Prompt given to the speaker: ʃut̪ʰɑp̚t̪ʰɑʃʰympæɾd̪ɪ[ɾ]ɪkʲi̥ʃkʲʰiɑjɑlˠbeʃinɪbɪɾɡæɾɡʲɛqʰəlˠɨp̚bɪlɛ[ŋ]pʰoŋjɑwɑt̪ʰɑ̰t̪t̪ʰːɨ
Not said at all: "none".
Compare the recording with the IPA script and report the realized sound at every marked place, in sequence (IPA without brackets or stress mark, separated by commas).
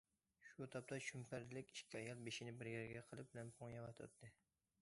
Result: l, n